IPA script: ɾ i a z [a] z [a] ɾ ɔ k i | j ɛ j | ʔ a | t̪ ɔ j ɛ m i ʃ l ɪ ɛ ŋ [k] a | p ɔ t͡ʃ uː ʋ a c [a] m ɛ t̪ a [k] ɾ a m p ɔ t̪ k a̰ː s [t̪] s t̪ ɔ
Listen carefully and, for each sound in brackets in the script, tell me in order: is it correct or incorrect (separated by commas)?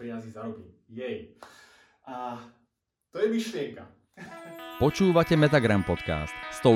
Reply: incorrect, correct, correct, incorrect, incorrect, correct